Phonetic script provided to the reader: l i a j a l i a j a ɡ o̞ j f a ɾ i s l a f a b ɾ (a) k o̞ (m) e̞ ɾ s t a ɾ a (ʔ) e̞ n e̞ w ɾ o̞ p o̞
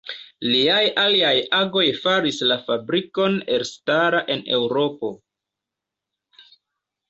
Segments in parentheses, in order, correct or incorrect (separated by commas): incorrect, incorrect, correct